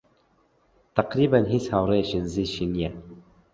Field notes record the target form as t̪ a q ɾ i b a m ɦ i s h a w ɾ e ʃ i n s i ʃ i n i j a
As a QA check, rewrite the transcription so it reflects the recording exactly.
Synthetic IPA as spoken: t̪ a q ɾ i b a n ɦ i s h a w ɾ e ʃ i n z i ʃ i n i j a